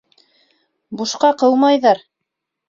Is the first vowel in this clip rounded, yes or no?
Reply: yes